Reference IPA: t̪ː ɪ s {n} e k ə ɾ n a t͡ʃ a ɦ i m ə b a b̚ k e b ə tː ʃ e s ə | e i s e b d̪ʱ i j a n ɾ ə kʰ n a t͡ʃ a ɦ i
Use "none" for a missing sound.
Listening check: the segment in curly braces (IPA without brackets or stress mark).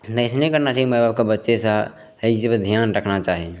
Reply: n